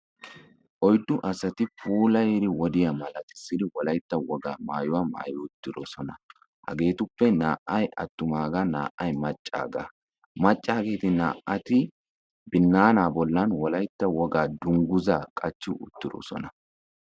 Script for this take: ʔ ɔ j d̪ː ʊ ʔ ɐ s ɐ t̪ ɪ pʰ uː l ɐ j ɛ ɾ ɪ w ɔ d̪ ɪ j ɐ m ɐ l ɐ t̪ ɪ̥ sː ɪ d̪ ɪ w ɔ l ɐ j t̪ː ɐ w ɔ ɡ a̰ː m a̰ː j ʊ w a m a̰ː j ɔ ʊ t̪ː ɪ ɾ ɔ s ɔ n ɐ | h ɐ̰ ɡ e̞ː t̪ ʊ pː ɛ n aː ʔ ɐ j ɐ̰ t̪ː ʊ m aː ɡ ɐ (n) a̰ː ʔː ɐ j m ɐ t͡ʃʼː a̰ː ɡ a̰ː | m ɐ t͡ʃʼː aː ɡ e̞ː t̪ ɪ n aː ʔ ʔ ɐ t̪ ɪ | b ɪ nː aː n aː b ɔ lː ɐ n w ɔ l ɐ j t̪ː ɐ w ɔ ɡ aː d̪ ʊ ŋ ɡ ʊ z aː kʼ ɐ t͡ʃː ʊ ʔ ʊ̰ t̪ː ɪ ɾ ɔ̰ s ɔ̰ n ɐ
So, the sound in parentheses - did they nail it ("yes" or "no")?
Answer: yes